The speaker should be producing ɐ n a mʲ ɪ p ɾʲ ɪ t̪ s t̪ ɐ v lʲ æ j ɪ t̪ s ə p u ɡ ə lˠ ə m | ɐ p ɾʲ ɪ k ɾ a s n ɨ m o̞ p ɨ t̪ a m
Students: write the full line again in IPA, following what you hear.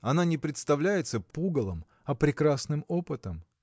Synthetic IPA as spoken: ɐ n a nʲ ɪ p ɾʲ ɪ t̪ s t̪ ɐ v lʲ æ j ɪ t̪ s ə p u ɡ ə lˠ ə m | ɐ p ɾʲ ɪ k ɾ a s n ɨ m o̞ p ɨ t̪ ə m